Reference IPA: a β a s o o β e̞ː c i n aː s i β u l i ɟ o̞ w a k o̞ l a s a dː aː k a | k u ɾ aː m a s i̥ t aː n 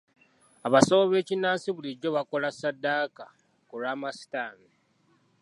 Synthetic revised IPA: a β a s o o β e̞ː c i n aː s i β u l i ɟ o̞ β a k o̞ l a s a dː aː k a | k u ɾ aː m a s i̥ t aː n